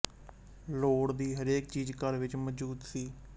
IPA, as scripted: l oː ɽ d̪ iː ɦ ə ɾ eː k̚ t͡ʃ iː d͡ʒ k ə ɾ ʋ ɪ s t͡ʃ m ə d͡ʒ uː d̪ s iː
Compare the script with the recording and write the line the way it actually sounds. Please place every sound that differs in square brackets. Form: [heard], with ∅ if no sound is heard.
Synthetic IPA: l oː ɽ d̪ iː ɦ ə ɾ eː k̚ t͡ʃ iː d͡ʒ k ə ɾ ʋ ɪ [∅] t͡ʃ m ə d͡ʒ uː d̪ s iː